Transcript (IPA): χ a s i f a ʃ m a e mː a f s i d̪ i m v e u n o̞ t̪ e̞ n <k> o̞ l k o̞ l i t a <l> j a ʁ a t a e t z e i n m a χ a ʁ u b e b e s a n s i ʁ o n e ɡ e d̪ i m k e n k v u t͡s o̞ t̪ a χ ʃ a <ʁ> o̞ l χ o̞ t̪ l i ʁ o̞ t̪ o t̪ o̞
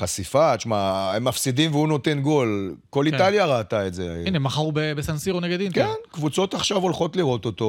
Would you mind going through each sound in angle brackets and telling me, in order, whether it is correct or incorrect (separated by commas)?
incorrect, correct, incorrect